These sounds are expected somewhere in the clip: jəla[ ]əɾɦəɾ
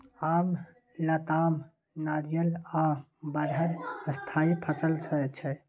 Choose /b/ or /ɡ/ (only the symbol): b